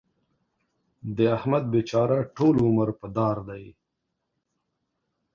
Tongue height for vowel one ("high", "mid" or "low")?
mid